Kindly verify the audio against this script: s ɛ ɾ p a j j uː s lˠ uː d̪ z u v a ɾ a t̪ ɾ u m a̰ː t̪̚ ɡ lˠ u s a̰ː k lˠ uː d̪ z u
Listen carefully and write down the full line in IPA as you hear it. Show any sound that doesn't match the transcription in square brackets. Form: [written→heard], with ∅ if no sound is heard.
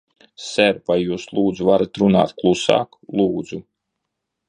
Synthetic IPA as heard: s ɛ ɾ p a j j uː s lˠ uː d̪ z u v a ɾ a t̪ ɾ u [m→n] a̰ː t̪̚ [ɡ→k] lˠ u s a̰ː k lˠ uː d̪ z u